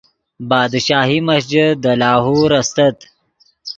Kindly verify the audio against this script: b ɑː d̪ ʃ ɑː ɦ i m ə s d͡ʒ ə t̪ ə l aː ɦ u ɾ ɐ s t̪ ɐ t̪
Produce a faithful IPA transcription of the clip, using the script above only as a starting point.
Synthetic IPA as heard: b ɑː d̪ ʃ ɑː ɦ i m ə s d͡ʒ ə d̪ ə l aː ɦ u ɾ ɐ s t̪ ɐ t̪